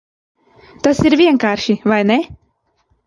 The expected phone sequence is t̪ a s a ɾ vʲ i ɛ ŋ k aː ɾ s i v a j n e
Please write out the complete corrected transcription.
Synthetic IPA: t̪ a s i ɾ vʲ i ɛ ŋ k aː ɾ ʃ i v a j n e